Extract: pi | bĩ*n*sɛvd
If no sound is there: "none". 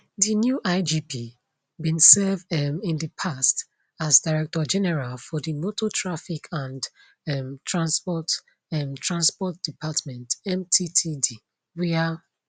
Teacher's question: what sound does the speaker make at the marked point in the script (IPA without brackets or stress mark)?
n